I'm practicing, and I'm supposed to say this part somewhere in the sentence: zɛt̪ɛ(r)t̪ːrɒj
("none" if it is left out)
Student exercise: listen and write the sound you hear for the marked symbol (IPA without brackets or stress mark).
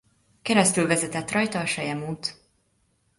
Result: none